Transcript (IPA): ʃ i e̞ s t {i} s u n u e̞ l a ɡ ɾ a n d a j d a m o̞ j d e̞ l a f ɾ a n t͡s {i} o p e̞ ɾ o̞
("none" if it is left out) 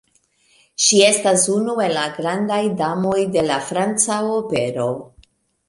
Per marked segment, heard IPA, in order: a, a

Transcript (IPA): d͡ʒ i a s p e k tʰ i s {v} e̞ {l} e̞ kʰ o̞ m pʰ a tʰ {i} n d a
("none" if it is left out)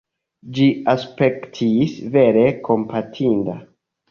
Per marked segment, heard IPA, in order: v, ɾ, i

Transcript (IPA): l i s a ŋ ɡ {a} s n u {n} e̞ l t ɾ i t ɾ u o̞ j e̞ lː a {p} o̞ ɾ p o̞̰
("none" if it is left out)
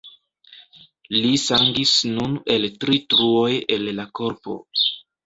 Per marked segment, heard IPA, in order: i, n, k

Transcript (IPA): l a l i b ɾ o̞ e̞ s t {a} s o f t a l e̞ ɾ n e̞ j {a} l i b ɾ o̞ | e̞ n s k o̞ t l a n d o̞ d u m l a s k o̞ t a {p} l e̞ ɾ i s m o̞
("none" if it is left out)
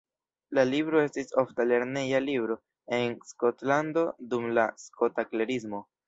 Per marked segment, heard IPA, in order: i, a, k

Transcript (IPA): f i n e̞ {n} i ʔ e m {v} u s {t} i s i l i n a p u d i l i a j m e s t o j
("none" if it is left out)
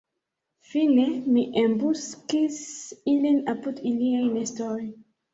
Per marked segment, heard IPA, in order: m, b, k

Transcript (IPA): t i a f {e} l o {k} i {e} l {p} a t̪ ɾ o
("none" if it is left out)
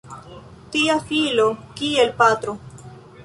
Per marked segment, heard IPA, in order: i, k, e, p

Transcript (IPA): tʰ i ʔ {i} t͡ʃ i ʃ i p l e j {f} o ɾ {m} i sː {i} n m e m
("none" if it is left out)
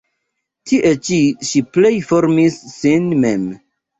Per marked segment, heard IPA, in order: e, f, m, i

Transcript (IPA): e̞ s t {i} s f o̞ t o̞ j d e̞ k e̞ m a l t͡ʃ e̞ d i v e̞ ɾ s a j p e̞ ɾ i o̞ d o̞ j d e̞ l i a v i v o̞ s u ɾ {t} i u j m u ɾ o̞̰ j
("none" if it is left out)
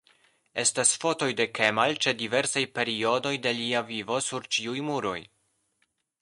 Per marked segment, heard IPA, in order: a, t͡ʃ

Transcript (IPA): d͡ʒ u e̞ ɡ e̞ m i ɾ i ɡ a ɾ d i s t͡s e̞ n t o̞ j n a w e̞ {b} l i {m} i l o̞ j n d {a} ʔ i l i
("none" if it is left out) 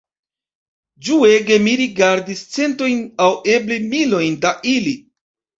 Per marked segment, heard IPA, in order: b, m, a

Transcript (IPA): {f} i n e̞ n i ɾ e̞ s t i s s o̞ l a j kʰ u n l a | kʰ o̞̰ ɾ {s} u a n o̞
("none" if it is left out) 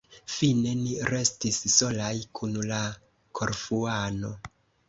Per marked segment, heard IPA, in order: f, f

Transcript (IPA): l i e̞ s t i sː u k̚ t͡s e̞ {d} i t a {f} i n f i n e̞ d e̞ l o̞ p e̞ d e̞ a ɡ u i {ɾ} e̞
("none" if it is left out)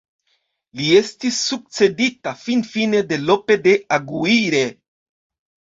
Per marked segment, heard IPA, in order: d, f, ɾ

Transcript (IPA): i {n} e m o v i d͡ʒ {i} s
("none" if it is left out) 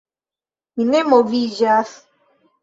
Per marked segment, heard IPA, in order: n, a

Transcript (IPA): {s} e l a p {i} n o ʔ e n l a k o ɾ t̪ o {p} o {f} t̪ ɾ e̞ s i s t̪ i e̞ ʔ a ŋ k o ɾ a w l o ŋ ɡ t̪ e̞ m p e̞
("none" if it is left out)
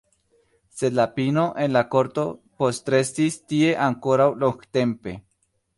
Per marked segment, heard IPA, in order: s, i, p, s

